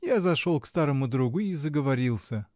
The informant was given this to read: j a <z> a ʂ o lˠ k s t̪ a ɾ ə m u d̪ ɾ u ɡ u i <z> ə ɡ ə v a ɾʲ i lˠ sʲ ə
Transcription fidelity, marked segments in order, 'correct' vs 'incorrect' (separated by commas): correct, correct